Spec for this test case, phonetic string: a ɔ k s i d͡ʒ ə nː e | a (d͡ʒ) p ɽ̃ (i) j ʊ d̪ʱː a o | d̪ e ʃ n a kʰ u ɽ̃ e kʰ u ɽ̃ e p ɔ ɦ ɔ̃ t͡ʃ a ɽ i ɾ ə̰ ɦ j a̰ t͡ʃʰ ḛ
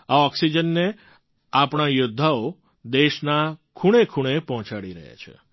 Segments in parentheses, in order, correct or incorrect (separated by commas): incorrect, incorrect